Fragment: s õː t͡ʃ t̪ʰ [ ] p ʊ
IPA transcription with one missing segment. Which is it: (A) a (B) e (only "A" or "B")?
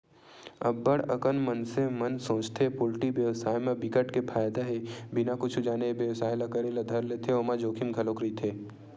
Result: B